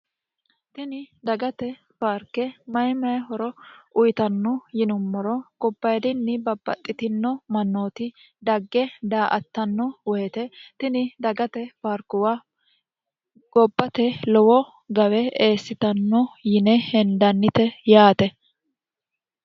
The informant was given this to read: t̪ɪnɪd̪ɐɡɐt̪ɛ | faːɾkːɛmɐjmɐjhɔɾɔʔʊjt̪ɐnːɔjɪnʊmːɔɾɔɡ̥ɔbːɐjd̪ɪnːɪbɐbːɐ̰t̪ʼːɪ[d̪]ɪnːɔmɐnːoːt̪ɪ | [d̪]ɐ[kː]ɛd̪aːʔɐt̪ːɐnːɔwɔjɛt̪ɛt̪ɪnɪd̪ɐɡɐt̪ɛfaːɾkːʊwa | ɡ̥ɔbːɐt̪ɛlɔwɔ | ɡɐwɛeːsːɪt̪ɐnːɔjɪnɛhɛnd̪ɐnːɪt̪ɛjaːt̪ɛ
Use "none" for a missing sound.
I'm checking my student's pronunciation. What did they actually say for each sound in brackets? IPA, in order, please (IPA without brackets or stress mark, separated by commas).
t̪, d̪, ɡː